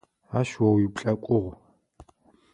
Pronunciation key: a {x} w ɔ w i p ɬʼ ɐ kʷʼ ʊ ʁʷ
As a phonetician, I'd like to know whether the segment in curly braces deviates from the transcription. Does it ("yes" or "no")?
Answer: yes